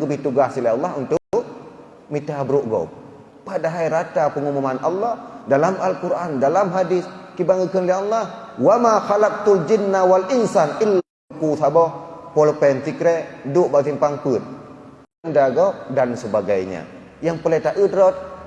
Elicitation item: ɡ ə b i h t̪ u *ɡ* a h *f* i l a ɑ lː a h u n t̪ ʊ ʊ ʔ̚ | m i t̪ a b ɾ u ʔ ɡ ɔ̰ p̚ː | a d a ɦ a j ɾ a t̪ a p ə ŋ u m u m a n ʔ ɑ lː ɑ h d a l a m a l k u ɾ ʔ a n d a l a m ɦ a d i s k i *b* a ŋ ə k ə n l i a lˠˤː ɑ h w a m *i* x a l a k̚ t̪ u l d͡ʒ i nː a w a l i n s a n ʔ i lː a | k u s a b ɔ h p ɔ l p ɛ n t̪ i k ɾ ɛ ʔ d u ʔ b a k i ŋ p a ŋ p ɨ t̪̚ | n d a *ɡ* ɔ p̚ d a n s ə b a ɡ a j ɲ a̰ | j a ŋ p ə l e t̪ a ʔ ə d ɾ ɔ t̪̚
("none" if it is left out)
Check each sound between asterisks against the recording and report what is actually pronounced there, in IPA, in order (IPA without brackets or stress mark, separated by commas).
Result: ɡ, s, b, a, ɡ